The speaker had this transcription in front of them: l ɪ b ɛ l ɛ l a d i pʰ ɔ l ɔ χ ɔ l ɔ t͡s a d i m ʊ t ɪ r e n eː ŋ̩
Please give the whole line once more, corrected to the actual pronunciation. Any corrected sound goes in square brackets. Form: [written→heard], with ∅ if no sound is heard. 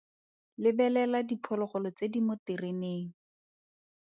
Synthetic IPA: l ɪ b ɛ l ɛ l a d i pʰ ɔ l ɔ χ ɔ l ɔ t͡s [a→e] d i m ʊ t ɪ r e n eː ŋ̩